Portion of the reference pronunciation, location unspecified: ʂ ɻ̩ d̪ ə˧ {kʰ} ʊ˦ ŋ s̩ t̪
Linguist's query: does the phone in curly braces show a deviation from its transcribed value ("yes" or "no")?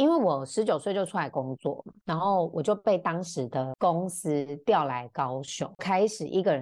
yes